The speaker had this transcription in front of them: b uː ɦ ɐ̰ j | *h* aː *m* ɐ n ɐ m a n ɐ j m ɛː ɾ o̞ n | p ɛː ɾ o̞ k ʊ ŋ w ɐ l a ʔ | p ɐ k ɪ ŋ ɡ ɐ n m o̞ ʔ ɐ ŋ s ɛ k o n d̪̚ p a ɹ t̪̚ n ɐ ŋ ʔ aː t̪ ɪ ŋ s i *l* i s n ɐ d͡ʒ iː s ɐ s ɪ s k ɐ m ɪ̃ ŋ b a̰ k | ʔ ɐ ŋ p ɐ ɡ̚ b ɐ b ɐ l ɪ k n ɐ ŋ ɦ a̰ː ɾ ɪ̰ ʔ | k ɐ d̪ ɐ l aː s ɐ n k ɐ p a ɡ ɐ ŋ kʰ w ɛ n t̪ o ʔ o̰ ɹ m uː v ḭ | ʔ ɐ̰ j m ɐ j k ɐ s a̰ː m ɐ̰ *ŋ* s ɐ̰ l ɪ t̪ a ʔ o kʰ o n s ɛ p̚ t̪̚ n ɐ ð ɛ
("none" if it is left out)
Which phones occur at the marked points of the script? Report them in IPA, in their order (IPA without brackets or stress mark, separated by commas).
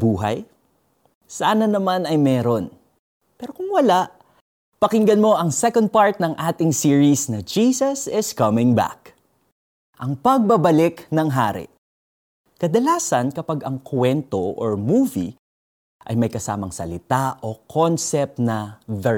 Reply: s, n, ɹ, ŋ